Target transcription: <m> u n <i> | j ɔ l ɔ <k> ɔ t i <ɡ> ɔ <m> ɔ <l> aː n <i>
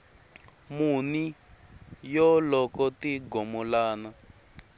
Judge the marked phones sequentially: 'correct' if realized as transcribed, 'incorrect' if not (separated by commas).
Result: correct, correct, correct, correct, correct, correct, incorrect